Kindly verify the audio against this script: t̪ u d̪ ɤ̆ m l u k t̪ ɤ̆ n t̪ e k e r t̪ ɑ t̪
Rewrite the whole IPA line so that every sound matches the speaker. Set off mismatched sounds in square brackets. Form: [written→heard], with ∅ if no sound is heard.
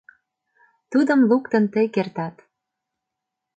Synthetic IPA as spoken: t̪ u d̪ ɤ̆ m l u k t̪ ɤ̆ n t̪ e k e r t̪ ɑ t̪